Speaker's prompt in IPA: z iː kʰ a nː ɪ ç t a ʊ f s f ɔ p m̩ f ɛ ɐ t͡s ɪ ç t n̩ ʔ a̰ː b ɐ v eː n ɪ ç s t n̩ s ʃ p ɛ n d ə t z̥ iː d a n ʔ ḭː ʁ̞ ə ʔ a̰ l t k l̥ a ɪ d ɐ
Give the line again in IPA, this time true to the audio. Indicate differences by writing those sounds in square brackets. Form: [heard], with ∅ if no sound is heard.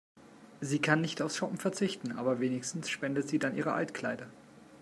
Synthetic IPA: z iː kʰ a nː ɪ ç t a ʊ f s [ʃ] ɔ p m̩ f ɛ ɐ t͡s ɪ ç t n̩ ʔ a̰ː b ɐ v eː n ɪ ç s t n̩ s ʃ p ɛ n d ə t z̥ iː d a n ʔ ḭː ʁ̞ ə ʔ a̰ l t k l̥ a ɪ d ɐ